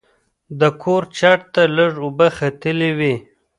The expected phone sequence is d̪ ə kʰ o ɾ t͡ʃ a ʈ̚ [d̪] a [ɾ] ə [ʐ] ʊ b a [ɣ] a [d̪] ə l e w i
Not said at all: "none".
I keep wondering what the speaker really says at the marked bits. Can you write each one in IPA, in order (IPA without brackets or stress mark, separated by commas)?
t̪, l, ʐ, x, t̪